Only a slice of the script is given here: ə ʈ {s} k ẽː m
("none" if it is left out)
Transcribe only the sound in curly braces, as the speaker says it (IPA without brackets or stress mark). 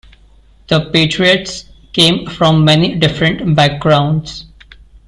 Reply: s